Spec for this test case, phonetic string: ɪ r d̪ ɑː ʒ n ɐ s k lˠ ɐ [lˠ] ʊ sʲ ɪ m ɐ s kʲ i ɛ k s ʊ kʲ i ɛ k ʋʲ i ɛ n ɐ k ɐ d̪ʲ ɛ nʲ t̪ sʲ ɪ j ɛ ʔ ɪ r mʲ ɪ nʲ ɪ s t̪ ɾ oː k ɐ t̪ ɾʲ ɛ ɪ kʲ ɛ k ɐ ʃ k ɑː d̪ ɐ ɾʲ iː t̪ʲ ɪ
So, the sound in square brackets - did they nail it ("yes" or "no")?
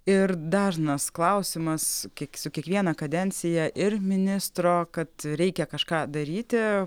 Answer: no